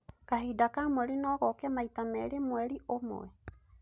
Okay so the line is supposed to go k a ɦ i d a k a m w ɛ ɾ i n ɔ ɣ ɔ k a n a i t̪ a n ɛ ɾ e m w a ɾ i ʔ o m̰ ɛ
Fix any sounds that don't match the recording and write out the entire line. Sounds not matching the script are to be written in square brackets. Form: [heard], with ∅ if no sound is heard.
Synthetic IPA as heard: k a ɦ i d a k a m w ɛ ɾ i n ɔ ɣ ɔ k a [m] a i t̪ a [m] ɛ ɾ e m w [ɛ] ɾ i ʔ o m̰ ɛ